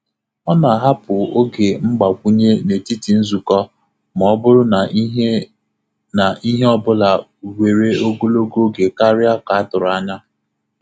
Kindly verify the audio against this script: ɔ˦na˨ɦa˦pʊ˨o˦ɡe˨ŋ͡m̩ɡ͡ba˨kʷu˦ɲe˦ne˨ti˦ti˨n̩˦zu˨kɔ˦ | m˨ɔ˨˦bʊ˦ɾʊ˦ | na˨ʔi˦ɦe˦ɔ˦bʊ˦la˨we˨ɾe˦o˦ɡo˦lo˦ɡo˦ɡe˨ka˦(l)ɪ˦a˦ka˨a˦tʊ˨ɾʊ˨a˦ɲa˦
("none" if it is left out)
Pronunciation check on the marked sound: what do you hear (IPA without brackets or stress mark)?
ɾ